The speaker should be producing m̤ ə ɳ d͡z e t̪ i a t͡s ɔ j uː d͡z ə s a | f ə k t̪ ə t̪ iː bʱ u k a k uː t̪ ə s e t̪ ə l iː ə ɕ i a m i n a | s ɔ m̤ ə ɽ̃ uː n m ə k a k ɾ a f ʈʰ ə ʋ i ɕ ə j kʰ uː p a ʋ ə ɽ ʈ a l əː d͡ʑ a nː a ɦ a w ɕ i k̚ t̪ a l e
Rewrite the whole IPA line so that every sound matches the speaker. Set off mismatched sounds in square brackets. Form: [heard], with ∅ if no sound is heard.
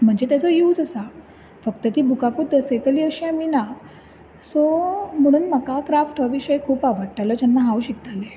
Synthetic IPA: m̤ ə ɳ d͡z e t̪ [j] a t͡s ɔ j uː d͡z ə s a | f ə k t̪ ə t̪ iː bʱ u k a k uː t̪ ə s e t̪ ə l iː ə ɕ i a m i n a | s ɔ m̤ ə ɽ̃ uː n m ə k a k ɾ a f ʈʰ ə ʋ i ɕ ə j kʰ uː p a ʋ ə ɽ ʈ a l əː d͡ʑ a nː a ɦ a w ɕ i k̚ t̪ a l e